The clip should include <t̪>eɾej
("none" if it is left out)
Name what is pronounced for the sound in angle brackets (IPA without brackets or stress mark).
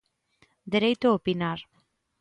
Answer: d̪